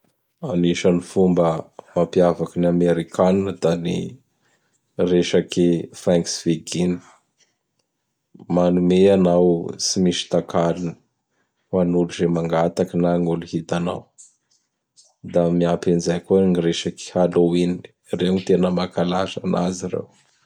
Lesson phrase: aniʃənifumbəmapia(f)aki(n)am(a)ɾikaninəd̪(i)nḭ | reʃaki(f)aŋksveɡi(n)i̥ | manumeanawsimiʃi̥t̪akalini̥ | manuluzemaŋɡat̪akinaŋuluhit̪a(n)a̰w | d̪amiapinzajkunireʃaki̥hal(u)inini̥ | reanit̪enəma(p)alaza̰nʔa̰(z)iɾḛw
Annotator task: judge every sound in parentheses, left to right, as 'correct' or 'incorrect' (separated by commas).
incorrect, correct, incorrect, incorrect, correct, correct, correct, incorrect, incorrect, correct